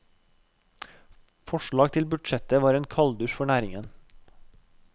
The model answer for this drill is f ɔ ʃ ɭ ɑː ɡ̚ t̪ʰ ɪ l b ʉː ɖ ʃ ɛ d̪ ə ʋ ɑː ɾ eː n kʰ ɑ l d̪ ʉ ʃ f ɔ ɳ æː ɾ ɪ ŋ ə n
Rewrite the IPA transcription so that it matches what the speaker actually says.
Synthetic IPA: f ɔ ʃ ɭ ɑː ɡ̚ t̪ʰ ɪ l b ʉ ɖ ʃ ɛ t̪ ə ʋ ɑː ɾ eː n kʰ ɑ l d̪ ʉ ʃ f ɔ ɳ æː ɾ ɪ ŋ ə n